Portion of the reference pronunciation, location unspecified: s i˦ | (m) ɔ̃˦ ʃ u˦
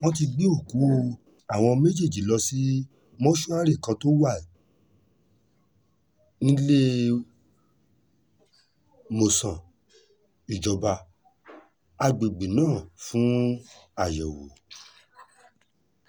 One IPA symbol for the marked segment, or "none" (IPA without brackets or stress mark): m